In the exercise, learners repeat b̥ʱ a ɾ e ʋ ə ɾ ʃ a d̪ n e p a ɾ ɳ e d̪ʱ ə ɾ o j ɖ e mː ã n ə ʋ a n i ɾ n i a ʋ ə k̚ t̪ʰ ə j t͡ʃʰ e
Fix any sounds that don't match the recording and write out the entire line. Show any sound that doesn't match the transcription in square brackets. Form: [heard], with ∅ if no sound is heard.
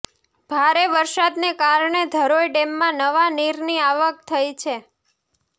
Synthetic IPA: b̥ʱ a ɾ e ʋ ə ɾ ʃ a d̪ n e [k] a ɾ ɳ e d̪ʱ ə ɾ o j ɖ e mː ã n ə ʋ a n i ɾ n i a ʋ ə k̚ t̪ʰ ə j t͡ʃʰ e

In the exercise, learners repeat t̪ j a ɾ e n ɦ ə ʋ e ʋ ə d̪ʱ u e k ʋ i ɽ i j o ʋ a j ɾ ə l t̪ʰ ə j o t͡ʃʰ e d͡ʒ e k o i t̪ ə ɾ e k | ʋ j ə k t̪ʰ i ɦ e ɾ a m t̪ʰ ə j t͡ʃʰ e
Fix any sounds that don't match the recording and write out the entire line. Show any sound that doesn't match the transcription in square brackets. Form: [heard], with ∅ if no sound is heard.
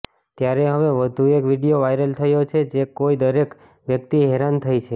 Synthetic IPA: t̪ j a ɾ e [∅] ɦ ə ʋ e ʋ ə d̪ʱ u e k ʋ i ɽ i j o ʋ a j ɾ ə l t̪ʰ ə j o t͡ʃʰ e d͡ʒ e k o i [d̪] ə ɾ e k | ʋ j ə k [t̪] i ɦ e ɾ a [n] t̪ʰ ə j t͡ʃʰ e

